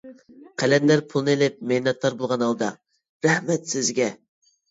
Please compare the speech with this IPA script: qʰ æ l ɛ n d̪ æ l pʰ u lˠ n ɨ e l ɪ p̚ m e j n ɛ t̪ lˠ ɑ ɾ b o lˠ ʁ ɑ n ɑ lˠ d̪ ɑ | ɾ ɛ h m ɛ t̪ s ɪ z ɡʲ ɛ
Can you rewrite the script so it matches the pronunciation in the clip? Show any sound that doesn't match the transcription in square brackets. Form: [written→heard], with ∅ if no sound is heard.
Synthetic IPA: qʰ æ l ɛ n d̪ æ [l→ɾ] pʰ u lˠ n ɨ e l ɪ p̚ m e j n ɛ t̪ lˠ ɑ ɾ b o lˠ ʁ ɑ n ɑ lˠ d̪ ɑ | ɾ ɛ h m ɛ t̪ s ɪ z ɡʲ ɛ

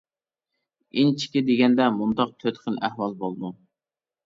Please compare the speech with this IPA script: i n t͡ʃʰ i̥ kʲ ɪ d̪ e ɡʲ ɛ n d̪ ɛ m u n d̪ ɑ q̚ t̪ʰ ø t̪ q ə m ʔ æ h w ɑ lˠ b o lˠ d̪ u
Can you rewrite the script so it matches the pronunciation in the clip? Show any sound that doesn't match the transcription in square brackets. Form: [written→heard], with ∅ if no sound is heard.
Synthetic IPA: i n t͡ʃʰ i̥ kʲ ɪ d̪ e ɡʲ ɛ n d̪ ɛ m u n d̪ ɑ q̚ t̪ʰ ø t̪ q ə [m→n] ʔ æ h w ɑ lˠ b o lˠ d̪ u

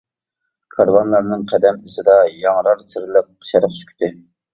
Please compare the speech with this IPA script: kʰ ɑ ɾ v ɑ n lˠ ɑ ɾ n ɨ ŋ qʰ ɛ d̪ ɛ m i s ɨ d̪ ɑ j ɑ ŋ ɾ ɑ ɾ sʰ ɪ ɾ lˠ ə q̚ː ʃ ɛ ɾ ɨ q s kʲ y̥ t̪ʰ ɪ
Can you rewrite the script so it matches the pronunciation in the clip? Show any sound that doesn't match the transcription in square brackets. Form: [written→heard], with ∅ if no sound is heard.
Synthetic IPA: kʰ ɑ ɾ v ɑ n lˠ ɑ ɾ n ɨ ŋ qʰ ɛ d̪ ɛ m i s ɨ d̪ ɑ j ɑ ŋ ɾ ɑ ɾ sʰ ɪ ɾ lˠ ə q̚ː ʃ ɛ ɾ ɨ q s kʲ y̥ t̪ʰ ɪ

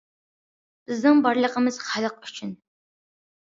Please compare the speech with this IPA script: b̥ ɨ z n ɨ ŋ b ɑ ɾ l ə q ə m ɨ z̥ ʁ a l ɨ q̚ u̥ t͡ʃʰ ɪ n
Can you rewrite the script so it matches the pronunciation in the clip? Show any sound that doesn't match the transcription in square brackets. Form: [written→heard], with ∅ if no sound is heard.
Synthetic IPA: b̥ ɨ z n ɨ ŋ b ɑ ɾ l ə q ə m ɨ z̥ [ʁ→χ] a l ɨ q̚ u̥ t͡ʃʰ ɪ n

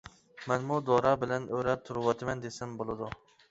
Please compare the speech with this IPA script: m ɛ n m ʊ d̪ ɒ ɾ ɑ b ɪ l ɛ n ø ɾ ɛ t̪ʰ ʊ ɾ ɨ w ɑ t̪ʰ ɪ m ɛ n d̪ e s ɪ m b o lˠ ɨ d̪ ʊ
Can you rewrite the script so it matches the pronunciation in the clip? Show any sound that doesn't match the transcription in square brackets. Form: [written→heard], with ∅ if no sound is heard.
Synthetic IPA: m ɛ n m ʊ d̪ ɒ ɾ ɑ b ɪ l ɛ n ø ɾ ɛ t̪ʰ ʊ ɾ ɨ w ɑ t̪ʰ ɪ m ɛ n d̪ e s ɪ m b o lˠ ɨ d̪ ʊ

